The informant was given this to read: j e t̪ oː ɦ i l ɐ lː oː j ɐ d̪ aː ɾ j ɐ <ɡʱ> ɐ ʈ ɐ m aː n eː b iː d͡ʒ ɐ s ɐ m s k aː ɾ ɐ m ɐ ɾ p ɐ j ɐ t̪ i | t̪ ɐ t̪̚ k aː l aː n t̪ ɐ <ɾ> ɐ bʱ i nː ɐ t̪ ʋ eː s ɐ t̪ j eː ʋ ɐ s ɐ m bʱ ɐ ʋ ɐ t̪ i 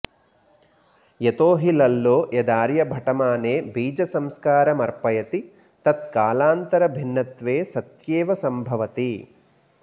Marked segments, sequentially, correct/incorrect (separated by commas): incorrect, correct